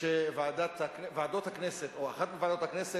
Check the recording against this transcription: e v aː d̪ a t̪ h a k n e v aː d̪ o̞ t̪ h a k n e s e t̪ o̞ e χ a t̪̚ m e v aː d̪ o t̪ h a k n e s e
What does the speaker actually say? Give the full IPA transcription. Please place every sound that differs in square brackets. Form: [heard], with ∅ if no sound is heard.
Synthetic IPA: e v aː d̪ a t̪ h a k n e v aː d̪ o̞ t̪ h a k n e s e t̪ o̞ [a] χ a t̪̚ m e v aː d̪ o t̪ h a k n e s e